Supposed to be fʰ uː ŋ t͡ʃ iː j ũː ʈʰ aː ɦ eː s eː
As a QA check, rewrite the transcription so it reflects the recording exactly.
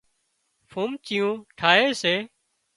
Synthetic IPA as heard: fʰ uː m t͡ʃ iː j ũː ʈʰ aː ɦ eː s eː